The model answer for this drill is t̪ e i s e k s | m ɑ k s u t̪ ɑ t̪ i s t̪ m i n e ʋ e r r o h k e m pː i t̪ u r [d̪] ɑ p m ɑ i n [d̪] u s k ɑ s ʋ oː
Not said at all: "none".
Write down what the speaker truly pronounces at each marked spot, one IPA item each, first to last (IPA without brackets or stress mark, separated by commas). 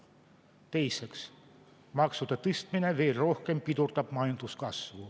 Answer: t̪, t̪